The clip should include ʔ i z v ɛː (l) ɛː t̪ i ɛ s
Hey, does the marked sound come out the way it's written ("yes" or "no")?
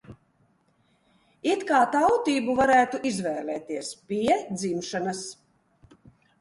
yes